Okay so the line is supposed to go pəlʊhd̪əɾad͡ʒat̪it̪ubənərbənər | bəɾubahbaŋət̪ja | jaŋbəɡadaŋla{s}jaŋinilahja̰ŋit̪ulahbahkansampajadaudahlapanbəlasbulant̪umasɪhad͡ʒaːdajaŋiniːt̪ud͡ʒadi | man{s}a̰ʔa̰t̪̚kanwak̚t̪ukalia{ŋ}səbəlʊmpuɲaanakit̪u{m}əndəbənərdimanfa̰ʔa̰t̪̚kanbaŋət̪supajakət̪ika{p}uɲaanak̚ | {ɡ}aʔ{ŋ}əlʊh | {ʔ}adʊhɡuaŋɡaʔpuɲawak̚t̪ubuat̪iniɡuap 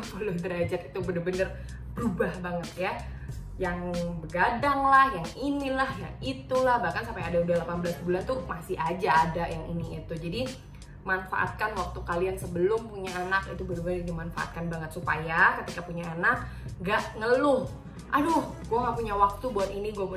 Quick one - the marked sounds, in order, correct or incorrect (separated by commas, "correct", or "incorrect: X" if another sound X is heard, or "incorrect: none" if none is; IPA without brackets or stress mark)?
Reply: incorrect: h, incorrect: f, incorrect: n, incorrect: b, correct, correct, correct, correct